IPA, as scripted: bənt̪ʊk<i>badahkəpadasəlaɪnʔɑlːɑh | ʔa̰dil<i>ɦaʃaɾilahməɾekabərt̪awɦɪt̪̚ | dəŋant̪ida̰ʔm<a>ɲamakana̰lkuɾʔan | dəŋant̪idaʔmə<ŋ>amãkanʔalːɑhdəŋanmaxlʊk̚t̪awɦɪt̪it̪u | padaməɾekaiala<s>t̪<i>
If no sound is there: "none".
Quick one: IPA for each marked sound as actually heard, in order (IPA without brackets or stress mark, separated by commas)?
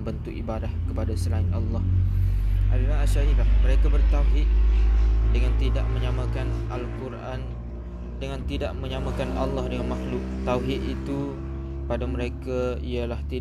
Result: i, a, ə, ɲ, h, i